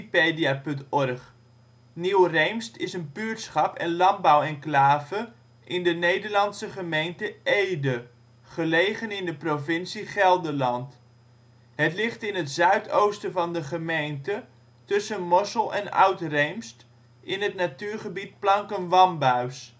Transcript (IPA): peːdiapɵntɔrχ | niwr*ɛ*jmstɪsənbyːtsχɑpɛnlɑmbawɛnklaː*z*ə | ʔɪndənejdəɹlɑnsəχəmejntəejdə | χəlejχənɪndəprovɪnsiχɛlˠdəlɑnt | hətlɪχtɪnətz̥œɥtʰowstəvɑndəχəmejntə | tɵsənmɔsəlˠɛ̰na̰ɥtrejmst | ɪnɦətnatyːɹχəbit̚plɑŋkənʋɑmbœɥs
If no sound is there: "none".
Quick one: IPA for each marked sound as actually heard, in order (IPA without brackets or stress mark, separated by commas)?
e, v